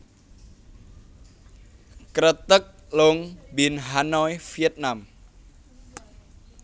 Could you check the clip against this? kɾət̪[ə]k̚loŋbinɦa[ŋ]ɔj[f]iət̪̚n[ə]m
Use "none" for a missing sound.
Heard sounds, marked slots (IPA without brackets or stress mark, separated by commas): ə, n, f, a